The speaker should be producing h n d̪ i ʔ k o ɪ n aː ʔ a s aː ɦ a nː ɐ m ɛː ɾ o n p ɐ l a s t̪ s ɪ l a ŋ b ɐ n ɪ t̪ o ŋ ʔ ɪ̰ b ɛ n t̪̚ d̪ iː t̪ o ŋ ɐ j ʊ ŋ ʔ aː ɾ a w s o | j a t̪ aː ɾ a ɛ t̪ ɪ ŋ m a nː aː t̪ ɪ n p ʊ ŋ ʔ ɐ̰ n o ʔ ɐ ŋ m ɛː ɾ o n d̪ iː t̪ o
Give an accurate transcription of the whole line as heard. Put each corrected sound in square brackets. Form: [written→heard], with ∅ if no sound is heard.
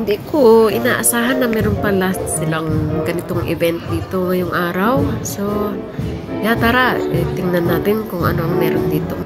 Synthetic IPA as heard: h n d̪ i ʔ k o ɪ n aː ʔ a s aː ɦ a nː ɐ m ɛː ɾ o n p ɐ l a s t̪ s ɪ l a ŋ [b→ɡ] ɐ n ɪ t̪ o ŋ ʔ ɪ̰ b ɛ n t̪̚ d̪ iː t̪ o ŋ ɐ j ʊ ŋ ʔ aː ɾ a w s o | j a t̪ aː ɾ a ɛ t̪ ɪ ŋ [m→n] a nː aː t̪ ɪ n [p→k] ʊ ŋ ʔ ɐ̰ n o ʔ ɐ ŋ m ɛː ɾ o n d̪ iː t̪ o